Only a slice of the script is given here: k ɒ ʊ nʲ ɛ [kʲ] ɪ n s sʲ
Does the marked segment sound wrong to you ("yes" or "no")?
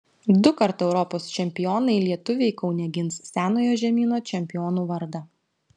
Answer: yes